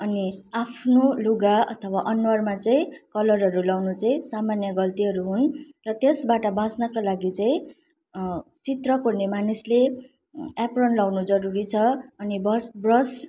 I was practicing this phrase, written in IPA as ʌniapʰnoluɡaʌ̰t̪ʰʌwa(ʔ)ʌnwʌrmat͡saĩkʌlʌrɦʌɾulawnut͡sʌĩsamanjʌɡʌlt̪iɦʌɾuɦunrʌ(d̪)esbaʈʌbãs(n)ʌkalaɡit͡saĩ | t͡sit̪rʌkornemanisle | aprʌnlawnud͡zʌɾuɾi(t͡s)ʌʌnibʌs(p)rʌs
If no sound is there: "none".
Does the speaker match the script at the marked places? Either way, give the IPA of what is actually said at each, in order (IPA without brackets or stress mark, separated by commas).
ʔ, t̪, n, t͡sʰ, b